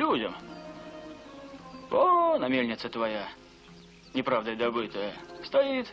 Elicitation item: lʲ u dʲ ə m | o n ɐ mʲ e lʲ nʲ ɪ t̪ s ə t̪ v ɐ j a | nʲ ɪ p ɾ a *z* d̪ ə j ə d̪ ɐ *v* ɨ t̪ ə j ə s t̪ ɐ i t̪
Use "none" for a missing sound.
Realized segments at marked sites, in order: v, b

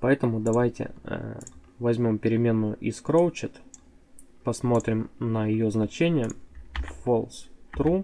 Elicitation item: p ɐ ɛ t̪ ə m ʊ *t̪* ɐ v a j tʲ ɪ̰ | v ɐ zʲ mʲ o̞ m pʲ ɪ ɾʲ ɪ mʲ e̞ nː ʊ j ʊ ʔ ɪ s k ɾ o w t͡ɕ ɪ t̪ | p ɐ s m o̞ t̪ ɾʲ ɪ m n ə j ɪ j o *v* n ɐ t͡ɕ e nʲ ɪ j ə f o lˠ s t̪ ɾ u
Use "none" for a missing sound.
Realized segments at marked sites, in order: d̪, z

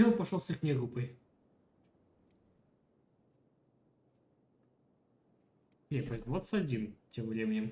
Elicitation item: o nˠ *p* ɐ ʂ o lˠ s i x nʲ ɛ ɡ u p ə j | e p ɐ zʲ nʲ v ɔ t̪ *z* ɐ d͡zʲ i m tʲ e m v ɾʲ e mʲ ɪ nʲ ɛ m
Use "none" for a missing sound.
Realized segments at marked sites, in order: p, s

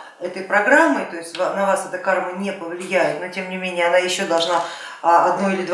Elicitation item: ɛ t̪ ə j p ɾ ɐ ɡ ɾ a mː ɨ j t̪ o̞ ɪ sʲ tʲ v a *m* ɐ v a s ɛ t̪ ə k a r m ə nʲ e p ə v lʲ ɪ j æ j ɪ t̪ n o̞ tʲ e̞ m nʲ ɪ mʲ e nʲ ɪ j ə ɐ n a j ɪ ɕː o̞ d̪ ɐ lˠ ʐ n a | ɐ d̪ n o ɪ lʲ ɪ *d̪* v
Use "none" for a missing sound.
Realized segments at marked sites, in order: n, d̪

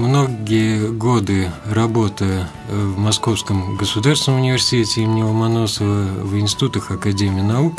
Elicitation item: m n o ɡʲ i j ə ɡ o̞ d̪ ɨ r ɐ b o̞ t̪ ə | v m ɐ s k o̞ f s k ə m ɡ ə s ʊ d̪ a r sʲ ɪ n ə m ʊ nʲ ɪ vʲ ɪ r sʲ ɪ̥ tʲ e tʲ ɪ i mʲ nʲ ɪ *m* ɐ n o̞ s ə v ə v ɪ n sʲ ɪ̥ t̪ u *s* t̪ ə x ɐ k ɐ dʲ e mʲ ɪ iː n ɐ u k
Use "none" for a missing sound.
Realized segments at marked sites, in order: m, none

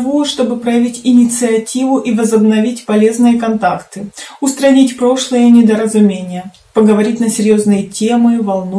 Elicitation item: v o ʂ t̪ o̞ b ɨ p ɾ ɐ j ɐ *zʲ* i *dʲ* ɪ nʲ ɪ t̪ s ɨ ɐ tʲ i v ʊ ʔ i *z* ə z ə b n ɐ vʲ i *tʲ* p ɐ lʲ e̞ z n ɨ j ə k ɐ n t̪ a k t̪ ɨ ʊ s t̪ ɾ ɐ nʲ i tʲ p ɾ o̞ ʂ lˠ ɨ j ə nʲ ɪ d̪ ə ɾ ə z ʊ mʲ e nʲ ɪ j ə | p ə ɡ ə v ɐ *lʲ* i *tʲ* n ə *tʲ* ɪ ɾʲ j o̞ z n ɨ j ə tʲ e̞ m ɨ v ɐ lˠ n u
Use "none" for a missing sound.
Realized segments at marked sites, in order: vʲ, tʲ, v, tʲ, ɾʲ, tʲ, sʲ

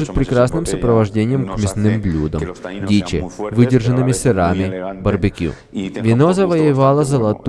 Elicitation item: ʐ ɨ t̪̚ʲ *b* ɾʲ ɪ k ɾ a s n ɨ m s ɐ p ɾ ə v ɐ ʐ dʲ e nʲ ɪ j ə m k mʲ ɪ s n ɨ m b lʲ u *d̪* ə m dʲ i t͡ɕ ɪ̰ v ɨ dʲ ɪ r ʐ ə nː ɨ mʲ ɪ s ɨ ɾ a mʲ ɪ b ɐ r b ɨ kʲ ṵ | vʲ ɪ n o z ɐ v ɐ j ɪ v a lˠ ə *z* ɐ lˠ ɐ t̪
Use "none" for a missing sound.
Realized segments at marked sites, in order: p, d̪, z

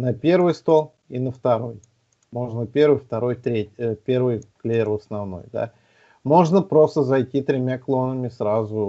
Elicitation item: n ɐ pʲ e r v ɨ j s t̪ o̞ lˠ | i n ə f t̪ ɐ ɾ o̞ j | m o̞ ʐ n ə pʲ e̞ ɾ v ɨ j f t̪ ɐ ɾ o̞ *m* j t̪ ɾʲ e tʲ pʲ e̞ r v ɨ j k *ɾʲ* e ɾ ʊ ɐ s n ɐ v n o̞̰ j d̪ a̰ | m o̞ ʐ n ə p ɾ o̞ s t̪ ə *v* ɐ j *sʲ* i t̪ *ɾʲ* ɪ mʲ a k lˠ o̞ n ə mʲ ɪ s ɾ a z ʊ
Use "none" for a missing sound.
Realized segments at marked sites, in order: none, lʲ, z, tʲ, ɾʲ

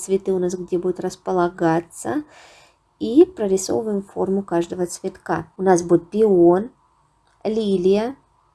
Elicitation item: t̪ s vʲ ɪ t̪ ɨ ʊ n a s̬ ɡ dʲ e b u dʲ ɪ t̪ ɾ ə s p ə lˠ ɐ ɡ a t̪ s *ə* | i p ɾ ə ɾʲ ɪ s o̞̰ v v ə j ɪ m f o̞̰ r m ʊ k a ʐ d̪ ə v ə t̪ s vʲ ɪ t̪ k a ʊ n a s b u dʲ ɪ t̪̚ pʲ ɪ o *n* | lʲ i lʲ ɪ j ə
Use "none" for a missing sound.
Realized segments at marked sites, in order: ə, n

